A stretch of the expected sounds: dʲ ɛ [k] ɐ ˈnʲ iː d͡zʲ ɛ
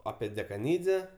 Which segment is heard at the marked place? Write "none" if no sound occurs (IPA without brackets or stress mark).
k